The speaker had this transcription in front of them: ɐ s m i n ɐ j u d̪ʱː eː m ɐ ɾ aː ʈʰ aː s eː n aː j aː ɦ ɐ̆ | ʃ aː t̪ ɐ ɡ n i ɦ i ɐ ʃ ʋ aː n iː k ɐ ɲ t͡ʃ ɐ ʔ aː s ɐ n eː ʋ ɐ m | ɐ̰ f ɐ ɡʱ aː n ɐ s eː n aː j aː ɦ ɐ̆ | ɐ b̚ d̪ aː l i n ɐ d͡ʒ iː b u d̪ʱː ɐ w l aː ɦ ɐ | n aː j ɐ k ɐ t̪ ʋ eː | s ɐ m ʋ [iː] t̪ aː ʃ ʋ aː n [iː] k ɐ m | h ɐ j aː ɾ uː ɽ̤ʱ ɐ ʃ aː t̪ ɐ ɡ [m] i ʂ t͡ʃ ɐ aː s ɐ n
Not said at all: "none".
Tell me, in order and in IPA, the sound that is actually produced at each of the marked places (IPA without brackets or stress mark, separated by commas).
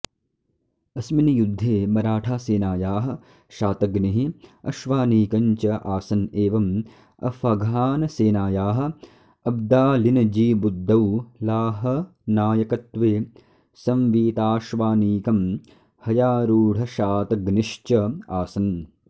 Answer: iː, iː, n